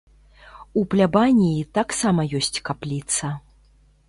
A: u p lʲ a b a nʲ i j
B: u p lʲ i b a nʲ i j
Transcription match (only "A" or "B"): A